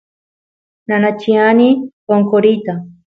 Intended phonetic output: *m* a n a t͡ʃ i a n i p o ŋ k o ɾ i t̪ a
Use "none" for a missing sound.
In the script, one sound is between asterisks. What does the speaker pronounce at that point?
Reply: n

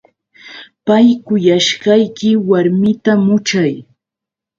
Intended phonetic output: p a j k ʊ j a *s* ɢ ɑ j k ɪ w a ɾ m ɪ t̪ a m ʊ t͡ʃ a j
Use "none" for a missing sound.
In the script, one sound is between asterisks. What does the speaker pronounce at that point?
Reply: ʃ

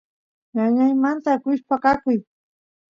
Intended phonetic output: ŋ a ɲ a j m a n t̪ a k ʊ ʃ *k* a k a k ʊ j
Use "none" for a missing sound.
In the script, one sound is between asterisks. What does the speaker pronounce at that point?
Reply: p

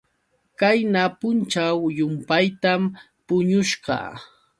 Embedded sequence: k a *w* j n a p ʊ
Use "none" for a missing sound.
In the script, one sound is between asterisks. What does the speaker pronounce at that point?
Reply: none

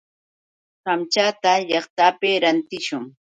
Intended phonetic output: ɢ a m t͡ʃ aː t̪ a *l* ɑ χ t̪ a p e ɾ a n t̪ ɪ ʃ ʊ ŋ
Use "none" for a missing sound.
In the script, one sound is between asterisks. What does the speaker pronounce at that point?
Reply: ʎ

